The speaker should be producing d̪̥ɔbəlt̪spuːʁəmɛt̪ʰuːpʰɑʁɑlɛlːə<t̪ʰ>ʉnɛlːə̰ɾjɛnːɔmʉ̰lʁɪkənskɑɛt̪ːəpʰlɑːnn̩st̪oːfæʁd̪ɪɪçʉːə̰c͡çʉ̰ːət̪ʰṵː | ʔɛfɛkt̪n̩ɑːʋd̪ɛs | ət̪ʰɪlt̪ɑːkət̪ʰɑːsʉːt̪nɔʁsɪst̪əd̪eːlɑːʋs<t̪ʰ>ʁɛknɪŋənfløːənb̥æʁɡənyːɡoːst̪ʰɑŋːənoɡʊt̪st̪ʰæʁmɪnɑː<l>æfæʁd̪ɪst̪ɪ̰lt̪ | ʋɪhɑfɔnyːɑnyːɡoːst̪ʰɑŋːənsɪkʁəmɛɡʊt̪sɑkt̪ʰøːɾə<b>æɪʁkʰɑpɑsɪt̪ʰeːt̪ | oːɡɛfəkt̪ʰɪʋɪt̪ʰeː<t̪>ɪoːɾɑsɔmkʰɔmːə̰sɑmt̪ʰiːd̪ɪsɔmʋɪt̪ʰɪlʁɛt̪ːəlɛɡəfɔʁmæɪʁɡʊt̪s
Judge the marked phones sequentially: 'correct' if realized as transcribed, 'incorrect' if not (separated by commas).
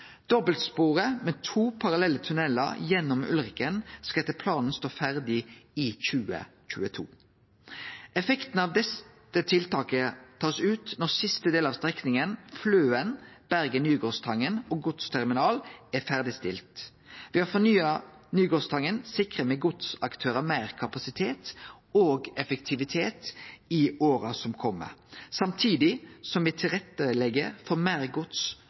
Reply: correct, incorrect, correct, incorrect, correct